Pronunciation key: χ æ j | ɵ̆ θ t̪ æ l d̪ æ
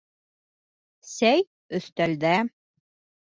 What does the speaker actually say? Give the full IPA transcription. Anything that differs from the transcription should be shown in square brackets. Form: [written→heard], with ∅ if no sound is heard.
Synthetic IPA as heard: [χ→s] æ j | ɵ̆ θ t̪ æ l d̪ æ